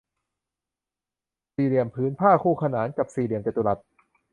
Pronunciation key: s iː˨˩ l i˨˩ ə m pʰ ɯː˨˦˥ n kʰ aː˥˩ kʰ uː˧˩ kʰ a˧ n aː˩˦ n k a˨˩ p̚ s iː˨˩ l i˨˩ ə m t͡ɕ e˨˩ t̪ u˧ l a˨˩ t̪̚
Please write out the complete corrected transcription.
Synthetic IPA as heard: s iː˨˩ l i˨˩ ə m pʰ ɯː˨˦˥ n pʰ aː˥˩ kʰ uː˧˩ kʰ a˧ n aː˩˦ n k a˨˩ p̚ s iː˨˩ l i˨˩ ə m t͡ɕ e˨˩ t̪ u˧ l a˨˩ t̪̚